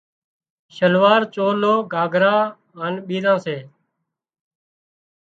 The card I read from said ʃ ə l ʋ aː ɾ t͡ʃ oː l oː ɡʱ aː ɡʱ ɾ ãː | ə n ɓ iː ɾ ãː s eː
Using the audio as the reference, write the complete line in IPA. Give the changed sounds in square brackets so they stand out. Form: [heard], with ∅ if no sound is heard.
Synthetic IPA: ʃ ə l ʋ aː ɾ t͡ʃ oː l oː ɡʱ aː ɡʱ ɾ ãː | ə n ɓ iː ɾ ãː s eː

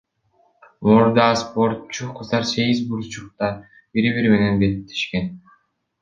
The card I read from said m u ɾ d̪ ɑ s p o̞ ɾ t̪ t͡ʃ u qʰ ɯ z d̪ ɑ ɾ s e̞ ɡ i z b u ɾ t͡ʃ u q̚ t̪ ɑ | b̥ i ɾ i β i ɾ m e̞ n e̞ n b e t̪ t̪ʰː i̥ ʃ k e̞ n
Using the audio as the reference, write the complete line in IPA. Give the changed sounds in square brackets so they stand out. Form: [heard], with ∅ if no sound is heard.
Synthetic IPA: m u ɾ d̪ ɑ s p o̞ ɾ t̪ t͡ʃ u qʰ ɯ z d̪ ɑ ɾ s e̞ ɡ i z b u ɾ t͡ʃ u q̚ t̪ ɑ | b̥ i ɾ i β i ɾ m e̞ n e̞ n b e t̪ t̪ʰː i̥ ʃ k e̞ n

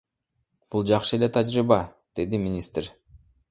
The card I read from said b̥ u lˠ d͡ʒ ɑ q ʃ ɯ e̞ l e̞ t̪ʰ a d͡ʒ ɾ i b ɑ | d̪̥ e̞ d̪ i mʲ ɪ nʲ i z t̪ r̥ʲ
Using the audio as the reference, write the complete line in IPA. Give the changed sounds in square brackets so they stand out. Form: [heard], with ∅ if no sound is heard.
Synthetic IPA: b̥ u lˠ d͡ʒ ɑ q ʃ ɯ e̞ l e̞ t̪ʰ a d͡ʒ ɾ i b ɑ | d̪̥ e̞ d̪ i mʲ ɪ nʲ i [s] t̪ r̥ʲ

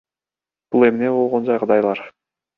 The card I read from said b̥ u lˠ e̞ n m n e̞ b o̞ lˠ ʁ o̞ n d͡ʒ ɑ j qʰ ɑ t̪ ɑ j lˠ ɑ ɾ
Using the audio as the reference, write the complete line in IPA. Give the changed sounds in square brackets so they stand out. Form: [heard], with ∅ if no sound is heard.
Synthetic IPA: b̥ u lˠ e̞ [∅] m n e̞ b o̞ lˠ ʁ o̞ n d͡ʒ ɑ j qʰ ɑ [d̪] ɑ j lˠ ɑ ɾ

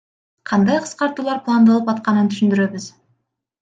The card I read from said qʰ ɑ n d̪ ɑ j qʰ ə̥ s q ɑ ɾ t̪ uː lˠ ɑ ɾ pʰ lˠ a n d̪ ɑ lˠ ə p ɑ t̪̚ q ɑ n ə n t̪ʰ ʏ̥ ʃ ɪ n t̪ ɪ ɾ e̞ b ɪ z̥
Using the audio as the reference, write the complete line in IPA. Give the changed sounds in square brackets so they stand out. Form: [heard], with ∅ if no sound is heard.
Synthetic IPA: qʰ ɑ n d̪ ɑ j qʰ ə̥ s q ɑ ɾ t̪ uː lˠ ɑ ɾ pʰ lˠ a n d̪ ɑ lˠ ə p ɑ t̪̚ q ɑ n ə n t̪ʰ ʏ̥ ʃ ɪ n [d̪] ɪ ɾ e̞ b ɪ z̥

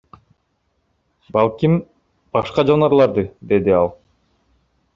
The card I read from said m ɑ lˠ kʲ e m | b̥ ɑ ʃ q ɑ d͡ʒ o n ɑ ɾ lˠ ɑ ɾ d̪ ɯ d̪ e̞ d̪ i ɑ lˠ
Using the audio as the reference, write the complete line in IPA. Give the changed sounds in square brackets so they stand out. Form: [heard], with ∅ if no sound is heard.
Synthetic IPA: [b] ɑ lˠ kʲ [i] m | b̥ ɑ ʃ q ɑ d͡ʒ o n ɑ ɾ lˠ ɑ ɾ d̪ ɯ d̪ e̞ d̪ i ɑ lˠ

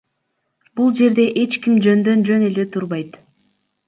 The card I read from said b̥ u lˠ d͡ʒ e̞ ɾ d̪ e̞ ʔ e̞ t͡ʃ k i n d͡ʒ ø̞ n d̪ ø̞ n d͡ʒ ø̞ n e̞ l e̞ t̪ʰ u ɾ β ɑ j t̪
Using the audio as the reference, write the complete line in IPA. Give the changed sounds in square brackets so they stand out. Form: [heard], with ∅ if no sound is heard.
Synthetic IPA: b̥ u lˠ d͡ʒ e̞ ɾ d̪ e̞ ʔ e̞ t͡ʃ k i [m] d͡ʒ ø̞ n d̪ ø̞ n d͡ʒ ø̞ n e̞ l e̞ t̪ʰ u ɾ β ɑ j t̪

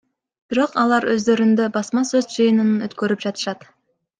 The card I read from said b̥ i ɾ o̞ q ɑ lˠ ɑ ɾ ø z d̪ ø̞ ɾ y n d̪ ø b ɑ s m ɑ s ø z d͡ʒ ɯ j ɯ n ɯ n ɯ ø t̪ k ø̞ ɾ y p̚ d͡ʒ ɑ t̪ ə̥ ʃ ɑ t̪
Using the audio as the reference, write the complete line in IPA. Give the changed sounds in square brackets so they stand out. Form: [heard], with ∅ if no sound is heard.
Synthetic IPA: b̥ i ɾ o̞ q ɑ lˠ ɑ ɾ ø z d̪ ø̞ ɾ y n d̪ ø b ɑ s m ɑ s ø z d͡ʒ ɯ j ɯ n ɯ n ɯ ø t̪ k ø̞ ɾ y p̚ d͡ʒ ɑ t̪ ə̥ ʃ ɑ t̪

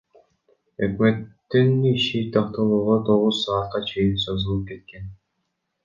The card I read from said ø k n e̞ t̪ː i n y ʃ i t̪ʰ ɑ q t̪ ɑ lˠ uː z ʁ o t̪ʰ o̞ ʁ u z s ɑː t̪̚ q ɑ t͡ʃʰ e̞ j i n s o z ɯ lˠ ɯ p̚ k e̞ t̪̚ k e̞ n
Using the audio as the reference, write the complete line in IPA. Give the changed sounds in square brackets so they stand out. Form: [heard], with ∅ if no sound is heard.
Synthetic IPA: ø k [m] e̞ t̪ː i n [i] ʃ i t̪ʰ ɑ q t̪ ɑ lˠ uː [∅] ʁ o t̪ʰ o̞ ʁ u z s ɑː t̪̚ q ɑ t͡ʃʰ e̞ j i n s o z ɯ lˠ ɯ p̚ k e̞ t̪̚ k e̞ n

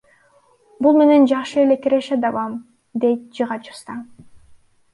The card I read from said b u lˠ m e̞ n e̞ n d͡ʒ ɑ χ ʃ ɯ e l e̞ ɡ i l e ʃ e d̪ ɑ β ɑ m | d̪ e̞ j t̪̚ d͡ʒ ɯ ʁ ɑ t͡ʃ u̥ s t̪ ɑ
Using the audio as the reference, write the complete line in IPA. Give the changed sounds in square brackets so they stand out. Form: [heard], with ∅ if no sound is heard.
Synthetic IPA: b u lˠ m e̞ n e̞ n d͡ʒ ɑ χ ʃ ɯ e l e̞ [k] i [ɾ] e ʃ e d̪ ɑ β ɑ m | d̪ e̞ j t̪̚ d͡ʒ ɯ ʁ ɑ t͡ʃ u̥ s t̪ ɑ

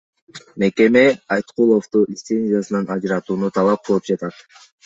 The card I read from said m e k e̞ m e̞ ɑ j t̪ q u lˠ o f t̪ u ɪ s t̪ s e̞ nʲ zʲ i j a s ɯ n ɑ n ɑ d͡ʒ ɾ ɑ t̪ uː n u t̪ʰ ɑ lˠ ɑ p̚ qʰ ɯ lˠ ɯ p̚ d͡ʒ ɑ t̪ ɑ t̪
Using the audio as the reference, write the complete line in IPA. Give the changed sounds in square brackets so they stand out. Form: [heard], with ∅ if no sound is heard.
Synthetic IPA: m e k e̞ m e̞ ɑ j t̪ q u lˠ o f t̪ u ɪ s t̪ s e̞ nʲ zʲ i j a s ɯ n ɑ n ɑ d͡ʒ ɾ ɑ t̪ uː n u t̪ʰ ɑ lˠ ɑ p̚ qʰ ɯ lˠ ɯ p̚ d͡ʒ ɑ t̪ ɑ t̪

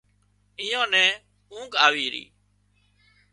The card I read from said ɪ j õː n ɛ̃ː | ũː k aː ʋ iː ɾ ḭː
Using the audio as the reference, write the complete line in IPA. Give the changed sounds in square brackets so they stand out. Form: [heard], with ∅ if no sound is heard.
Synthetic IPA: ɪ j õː n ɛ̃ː | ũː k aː ʋ iː ɾ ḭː

